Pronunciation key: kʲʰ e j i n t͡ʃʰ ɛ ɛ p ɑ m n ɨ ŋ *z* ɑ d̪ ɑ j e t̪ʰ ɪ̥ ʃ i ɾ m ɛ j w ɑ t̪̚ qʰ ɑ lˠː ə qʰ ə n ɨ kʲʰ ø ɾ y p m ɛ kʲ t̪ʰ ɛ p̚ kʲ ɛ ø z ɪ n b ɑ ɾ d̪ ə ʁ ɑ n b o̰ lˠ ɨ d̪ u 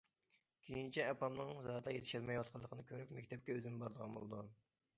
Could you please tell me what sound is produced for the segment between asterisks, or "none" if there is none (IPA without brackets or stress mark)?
z